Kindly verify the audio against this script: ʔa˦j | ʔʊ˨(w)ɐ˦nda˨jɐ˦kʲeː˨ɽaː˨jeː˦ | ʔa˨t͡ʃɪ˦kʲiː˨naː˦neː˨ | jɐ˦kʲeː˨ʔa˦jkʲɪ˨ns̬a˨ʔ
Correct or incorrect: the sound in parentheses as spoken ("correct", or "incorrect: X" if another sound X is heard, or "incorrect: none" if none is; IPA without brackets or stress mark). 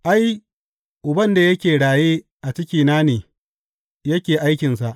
incorrect: b